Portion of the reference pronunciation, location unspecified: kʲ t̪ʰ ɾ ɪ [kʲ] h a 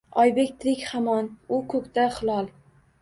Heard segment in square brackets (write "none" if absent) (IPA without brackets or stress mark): kʲ